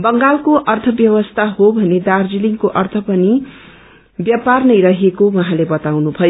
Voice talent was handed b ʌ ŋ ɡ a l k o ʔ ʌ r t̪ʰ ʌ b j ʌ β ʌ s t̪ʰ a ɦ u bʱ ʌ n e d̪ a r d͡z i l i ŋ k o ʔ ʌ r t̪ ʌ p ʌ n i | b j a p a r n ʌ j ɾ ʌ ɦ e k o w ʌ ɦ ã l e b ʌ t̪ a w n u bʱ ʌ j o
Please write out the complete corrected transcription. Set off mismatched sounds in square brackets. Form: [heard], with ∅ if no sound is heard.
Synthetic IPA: b ʌ ŋ ɡ a l k o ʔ ʌ r t̪ʰ ʌ b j ʌ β ʌ s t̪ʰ a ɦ [o] bʱ ʌ n e d̪ a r d͡z i l i ŋ k o ʔ ʌ r [t̪ʰ] ʌ p ʌ n i | b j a p a r n ʌ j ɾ ʌ ɦ e k o w ʌ ɦ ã l e b ʌ t̪ a w n u bʱ ʌ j o

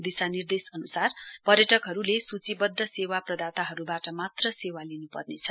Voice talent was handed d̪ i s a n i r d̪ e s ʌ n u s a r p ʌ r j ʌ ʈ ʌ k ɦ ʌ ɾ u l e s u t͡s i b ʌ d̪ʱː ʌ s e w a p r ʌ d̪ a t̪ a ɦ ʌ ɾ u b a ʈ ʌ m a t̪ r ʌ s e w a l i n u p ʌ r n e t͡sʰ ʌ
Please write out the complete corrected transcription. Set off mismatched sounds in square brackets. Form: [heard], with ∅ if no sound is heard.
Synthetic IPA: d̪ i s a n i r d̪ e s ʌ n u s a r p ʌ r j ʌ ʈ ʌ k ɦ ʌ ɾ u l e s u t͡s i b ʌ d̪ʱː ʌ s e w a p r ʌ d̪ a t̪ a ɦ ʌ ɾ u b a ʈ ʌ m a t̪ r ʌ s e w a l i n u p ʌ r n e t͡sʰ ʌ

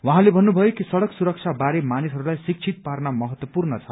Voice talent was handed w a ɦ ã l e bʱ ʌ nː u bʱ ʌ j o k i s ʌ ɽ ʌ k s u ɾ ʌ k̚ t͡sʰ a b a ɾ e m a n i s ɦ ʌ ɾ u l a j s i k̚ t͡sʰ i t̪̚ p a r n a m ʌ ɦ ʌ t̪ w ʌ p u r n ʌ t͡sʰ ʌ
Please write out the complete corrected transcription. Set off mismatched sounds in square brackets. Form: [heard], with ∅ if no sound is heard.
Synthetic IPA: w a ɦ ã l e bʱ ʌ nː u bʱ ʌ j o k i s ʌ ɽ ʌ k s u ɾ ʌ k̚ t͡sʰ a b a ɾ e m a n i s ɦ ʌ ɾ u l a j s i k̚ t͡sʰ i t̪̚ p a r n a m ʌ ɦ ʌ t̪ w ʌ p u r n ʌ t͡sʰ ʌ

